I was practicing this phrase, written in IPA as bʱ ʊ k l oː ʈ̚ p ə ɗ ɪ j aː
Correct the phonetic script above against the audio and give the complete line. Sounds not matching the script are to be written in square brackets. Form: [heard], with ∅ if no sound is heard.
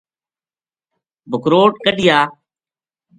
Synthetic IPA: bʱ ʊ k [ɾ] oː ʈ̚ [k] ə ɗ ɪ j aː